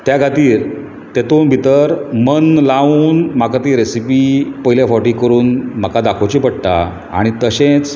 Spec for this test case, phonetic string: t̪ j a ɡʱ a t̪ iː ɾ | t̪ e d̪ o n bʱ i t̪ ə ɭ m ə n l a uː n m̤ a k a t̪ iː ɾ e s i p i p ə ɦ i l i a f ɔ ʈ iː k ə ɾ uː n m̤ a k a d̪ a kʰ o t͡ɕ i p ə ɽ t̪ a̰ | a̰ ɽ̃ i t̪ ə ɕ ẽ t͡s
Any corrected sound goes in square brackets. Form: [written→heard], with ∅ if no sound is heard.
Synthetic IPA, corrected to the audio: t̪ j a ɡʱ a t̪ iː ɾ | t̪ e [d̪→t̪] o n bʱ i t̪ ə [ɭ→ɾ] m ə n l a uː n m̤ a k a t̪ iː ɾ e s i p i p ə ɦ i l [i→j] a f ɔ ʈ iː k ə ɾ uː n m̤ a k a d̪ a kʰ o t͡ɕ i p ə ɽ t̪ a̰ | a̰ ɽ̃ i t̪ ə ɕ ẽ t͡s